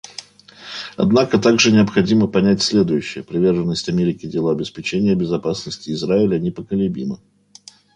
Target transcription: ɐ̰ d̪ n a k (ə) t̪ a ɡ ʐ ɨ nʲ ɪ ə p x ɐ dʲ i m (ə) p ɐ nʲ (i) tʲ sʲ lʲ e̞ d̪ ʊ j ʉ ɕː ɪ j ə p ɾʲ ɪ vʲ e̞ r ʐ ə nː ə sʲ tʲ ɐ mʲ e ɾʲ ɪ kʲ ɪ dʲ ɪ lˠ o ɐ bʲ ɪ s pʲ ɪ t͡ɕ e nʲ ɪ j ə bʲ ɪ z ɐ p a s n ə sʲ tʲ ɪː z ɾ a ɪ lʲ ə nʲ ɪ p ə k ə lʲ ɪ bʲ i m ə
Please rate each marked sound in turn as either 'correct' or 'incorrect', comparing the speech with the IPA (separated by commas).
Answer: correct, correct, incorrect